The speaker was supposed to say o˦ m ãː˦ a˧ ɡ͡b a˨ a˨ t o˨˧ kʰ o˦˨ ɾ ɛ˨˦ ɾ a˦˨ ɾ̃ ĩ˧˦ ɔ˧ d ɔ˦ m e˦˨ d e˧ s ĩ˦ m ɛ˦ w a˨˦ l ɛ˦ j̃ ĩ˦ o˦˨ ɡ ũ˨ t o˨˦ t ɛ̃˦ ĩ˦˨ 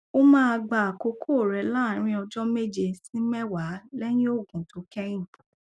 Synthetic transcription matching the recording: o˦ m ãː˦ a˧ ɡ͡b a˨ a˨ k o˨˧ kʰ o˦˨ ɾ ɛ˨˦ l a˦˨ ɾ̃ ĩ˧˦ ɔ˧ d͡ʒ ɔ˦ m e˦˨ d͡ʒ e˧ s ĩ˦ m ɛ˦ w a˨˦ l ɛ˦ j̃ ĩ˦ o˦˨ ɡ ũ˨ t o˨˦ k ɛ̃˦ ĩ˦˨